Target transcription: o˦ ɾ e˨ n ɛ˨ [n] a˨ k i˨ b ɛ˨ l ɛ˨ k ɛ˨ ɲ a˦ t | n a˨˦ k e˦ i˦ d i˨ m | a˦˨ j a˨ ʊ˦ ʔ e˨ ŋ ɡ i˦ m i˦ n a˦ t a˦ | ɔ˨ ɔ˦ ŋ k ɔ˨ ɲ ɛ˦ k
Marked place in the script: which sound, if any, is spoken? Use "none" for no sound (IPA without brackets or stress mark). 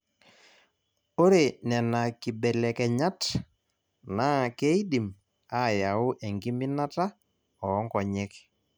n